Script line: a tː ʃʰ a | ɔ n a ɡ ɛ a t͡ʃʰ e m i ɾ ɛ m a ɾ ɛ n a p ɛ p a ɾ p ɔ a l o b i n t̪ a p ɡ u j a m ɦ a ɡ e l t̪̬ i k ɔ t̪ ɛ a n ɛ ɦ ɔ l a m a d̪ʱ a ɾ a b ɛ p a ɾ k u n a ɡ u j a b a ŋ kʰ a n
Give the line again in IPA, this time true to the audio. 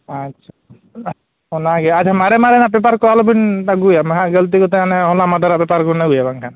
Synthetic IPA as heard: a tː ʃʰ a | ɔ n a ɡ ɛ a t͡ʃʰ a m a ɾ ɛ m a ɾ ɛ n a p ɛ p a ɾ k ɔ a l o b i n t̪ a ɡ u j a m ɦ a ɡ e l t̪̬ i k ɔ t̪ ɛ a n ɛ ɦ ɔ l a m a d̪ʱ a ɾ a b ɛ p a ɾ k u n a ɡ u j a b a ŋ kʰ a n